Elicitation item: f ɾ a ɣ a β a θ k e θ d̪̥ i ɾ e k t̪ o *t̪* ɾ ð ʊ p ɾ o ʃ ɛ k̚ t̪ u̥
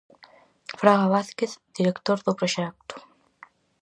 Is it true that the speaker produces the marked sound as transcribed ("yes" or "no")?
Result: no